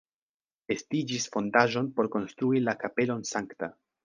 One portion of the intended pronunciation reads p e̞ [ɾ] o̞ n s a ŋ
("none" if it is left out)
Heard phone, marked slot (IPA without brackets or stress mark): l